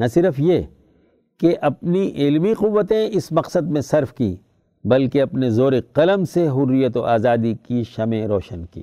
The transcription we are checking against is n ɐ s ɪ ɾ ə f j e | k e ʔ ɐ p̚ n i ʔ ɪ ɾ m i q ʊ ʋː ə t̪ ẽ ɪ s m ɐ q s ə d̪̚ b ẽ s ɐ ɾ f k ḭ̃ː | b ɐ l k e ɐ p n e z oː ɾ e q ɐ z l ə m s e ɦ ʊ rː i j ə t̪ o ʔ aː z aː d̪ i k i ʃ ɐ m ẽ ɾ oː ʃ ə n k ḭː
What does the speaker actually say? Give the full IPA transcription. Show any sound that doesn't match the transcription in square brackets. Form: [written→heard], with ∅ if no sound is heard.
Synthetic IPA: n ɐ s ɪ ɾ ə f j e | k e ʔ ɐ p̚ n i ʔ ɪ [ɾ→l] m i q ʊ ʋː ə t̪ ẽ ɪ s m ɐ q s ə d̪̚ [b→m] ẽ s ɐ ɾ f k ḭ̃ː | b ɐ l k e ɐ p n e z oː ɾ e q ɐ [z→∅] l ə m s e ɦ ʊ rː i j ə t̪ o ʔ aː z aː d̪ i k i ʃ ɐ m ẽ ɾ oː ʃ ə n k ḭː